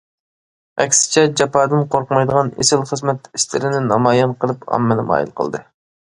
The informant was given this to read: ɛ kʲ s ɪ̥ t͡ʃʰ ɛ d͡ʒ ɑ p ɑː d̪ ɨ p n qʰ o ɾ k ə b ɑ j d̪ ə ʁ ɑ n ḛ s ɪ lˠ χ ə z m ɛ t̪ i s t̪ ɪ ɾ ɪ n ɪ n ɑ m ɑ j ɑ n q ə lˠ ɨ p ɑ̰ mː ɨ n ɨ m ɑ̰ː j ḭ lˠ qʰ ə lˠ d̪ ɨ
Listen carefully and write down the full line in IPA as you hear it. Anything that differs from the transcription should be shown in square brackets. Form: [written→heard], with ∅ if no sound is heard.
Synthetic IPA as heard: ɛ kʲ s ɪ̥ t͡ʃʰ ɛ d͡ʒ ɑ p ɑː d̪ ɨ [p→∅] n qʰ o ɾ [k→q] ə [b→m] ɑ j d̪ ə ʁ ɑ n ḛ s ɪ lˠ χ ə z m ɛ t̪ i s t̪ ɪ ɾ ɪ n ɪ n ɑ m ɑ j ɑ n q ə lˠ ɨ p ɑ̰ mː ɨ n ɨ m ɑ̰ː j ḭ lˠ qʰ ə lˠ d̪ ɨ